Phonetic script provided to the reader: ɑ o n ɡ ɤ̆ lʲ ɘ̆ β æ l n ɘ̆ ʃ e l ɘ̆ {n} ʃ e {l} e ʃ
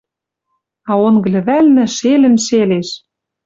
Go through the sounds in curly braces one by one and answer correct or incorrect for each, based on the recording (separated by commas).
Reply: correct, correct